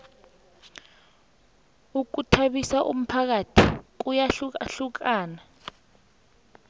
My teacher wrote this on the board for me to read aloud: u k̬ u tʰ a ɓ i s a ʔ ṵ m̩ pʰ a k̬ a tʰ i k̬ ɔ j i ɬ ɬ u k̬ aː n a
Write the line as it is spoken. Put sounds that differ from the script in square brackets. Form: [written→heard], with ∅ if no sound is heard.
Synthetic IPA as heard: u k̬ u tʰ a ɓ i s a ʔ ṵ m̩ pʰ a k̬ a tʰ i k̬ [ɔ→u] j [i→a] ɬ ɬ u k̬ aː n a